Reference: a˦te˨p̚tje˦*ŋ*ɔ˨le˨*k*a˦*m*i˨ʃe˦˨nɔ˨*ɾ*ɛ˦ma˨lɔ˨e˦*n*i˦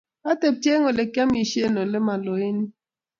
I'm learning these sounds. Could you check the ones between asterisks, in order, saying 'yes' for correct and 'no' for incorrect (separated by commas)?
yes, yes, yes, no, yes